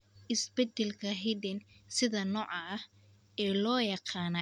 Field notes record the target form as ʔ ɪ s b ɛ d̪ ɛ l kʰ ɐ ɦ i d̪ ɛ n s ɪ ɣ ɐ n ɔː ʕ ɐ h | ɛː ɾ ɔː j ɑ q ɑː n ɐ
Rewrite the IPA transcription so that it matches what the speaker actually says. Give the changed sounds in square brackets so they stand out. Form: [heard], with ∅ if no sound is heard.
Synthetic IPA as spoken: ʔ ɪ s b ɛ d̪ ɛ l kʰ ɐ ɦ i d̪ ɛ n s ɪ [ð] ɐ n ɔː ʕ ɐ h | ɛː [l] ɔː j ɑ q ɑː n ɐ